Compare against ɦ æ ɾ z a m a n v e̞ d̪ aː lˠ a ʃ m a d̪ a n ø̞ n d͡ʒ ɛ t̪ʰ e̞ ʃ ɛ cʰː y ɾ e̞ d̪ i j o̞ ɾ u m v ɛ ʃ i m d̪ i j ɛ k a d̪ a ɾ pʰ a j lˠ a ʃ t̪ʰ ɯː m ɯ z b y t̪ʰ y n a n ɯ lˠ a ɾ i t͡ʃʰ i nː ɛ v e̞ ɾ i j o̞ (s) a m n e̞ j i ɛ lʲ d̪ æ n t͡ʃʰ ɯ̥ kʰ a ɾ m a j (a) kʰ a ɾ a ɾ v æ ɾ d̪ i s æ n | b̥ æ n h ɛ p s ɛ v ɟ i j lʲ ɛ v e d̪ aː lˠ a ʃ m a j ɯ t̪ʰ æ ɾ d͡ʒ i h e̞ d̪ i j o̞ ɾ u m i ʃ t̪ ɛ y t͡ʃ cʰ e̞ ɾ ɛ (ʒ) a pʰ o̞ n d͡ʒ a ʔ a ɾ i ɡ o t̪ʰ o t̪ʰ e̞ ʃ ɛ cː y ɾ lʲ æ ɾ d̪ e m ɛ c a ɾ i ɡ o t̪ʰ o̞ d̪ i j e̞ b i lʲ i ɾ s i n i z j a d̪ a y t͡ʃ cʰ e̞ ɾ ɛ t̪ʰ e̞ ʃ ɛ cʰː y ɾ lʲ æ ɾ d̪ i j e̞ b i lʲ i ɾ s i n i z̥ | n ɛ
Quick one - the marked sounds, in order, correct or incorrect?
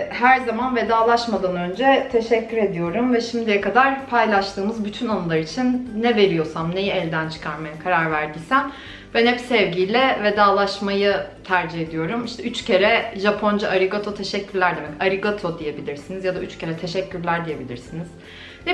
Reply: correct, correct, correct

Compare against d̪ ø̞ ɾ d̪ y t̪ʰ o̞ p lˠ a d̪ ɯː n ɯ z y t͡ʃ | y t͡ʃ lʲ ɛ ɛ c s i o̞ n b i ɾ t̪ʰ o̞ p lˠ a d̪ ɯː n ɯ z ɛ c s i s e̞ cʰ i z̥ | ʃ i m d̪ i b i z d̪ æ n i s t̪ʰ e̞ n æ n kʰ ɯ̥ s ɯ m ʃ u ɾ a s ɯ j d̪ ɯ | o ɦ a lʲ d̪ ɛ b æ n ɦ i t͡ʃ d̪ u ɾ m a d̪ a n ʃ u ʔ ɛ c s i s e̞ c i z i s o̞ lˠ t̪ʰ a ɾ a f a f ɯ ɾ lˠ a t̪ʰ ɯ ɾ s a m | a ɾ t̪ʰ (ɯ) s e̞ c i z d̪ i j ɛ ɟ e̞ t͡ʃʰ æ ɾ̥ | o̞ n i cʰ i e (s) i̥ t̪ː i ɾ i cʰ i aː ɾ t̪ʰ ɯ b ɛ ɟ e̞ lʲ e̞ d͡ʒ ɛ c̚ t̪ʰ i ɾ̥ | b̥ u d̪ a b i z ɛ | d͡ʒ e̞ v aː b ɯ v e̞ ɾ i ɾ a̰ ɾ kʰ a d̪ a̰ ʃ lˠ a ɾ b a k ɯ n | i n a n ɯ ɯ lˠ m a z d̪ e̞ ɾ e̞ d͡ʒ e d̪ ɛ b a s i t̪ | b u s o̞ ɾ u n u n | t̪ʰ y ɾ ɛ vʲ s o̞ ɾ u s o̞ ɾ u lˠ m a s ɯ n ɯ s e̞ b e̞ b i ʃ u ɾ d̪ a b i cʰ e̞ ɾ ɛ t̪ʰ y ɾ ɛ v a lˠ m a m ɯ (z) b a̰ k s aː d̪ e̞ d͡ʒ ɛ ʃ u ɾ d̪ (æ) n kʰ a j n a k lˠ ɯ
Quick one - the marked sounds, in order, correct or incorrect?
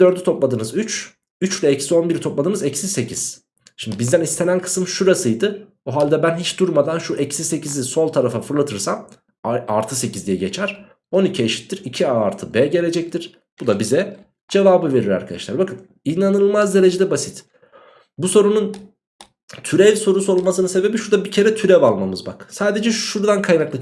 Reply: correct, incorrect: ʃ, correct, incorrect: a

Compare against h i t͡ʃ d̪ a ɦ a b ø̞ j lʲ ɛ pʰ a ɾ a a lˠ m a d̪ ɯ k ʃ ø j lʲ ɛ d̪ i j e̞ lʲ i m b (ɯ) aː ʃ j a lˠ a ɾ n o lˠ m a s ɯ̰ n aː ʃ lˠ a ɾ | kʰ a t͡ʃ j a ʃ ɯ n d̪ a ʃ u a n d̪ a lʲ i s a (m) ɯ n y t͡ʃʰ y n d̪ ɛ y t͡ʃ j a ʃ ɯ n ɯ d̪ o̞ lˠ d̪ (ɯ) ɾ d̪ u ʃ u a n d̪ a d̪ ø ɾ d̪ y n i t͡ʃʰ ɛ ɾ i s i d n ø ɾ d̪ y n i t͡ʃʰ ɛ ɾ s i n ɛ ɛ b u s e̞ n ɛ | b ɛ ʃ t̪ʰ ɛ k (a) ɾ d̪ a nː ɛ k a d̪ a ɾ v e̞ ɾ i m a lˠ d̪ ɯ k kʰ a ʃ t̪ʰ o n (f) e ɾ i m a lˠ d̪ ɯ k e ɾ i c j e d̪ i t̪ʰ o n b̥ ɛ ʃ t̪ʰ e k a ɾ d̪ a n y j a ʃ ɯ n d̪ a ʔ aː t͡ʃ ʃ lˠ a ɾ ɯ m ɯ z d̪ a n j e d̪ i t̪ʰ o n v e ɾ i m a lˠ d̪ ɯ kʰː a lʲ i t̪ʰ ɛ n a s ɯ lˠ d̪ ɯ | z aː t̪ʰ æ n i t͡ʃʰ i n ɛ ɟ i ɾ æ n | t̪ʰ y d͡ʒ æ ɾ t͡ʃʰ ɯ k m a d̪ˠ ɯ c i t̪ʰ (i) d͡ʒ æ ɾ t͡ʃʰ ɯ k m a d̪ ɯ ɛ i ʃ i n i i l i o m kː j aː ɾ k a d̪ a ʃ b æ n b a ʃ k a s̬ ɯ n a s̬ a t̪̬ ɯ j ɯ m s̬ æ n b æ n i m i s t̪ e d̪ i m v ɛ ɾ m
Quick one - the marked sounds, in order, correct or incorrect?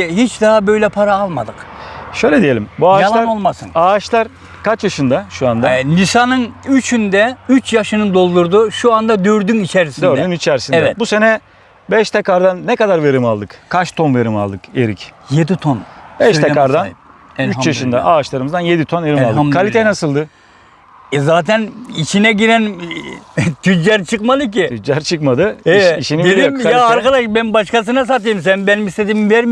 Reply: incorrect: u, incorrect: n, incorrect: u, correct, incorrect: v, incorrect: y

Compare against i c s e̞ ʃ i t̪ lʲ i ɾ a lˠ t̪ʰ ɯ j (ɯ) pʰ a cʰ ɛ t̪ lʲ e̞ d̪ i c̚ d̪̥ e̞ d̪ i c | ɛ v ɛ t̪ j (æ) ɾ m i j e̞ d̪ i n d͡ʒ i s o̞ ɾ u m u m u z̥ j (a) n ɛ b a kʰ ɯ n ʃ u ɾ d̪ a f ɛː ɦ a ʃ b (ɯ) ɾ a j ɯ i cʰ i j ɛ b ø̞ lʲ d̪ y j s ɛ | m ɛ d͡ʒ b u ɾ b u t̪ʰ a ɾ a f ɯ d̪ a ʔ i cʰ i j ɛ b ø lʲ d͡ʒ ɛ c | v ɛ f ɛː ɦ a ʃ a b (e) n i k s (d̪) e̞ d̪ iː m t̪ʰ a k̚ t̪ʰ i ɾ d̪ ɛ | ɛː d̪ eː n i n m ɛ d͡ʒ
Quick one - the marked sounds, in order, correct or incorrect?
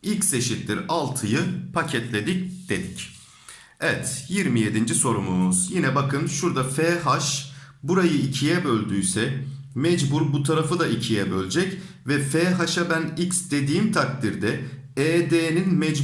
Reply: correct, incorrect: i, incorrect: i, incorrect: u, incorrect: æ, correct

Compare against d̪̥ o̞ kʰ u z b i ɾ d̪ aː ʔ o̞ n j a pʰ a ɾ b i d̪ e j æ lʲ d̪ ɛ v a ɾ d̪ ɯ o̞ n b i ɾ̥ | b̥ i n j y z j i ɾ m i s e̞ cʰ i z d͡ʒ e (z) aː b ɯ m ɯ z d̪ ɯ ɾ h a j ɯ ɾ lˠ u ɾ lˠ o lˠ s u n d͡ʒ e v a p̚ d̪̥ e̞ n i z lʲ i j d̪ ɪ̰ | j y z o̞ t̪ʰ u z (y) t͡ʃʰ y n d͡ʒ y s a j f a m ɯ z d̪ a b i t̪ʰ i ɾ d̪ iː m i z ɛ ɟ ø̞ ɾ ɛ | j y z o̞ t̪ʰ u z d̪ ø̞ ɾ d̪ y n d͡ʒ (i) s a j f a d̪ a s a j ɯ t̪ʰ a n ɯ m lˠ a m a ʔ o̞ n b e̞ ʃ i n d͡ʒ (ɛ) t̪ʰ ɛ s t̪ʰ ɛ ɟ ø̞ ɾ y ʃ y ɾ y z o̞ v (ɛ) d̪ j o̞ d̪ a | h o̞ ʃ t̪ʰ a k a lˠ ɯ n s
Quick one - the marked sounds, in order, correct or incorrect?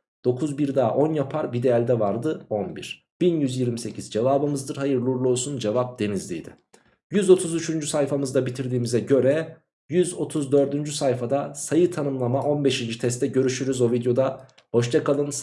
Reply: incorrect: v, correct, incorrect: y, incorrect: i, incorrect: i

